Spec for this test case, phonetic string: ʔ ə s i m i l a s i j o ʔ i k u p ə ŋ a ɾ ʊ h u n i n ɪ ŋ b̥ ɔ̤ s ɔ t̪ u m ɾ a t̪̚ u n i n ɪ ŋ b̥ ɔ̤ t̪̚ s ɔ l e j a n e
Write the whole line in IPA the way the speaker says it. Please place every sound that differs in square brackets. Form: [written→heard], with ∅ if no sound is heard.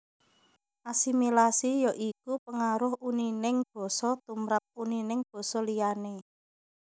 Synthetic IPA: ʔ [ə→a] s i m i l a s i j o ʔ i k u p ə ŋ a ɾ ʊ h u n i n ɪ ŋ b̥ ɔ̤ s ɔ t̪ u m ɾ a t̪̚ u n i n ɪ ŋ b̥ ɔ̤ [t̪̚→∅] s ɔ l [e→i] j a n e